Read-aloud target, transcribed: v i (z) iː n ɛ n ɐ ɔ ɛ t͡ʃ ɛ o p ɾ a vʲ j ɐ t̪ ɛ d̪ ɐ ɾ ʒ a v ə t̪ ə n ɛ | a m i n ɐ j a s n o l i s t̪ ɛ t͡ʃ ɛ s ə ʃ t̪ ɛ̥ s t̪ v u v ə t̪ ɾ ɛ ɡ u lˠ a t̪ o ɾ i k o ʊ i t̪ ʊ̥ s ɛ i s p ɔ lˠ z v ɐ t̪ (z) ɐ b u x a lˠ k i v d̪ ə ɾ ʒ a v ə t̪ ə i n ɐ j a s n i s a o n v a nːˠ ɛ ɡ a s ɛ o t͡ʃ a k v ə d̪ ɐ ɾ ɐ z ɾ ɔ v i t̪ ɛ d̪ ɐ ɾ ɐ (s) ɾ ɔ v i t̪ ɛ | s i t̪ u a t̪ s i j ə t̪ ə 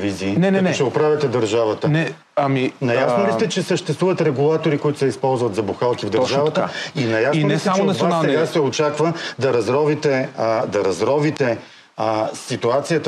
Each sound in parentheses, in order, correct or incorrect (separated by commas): correct, correct, incorrect